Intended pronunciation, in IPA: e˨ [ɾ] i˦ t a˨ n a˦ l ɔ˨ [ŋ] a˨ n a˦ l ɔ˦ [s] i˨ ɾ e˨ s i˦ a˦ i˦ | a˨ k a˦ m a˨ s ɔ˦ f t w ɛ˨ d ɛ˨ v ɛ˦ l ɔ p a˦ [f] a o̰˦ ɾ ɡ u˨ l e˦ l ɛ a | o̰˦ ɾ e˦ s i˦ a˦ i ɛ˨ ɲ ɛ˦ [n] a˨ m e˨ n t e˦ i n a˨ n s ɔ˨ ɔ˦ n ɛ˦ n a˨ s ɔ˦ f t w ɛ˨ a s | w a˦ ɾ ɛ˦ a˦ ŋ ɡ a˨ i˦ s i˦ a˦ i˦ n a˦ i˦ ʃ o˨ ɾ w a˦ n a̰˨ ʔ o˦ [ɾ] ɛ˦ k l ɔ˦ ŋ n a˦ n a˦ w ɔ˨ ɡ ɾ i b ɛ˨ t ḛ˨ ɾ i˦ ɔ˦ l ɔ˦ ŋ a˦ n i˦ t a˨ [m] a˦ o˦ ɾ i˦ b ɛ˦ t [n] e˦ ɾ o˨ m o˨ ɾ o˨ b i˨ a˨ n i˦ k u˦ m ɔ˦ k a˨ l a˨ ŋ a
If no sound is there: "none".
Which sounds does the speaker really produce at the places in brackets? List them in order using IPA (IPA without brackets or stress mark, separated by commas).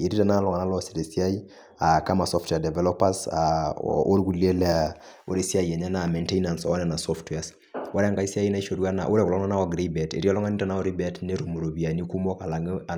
ɾ, ŋ, s, s, n, ɾ, n, n